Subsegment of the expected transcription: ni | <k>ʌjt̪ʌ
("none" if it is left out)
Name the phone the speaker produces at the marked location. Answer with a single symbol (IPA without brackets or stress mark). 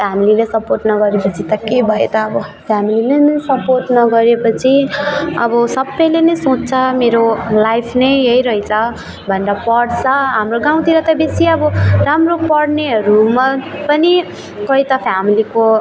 k